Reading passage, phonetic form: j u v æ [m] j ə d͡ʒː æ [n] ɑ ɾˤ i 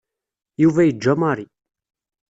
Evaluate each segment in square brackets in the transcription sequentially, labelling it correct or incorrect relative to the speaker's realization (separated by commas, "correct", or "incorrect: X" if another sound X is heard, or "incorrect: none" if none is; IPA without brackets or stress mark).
incorrect: none, incorrect: m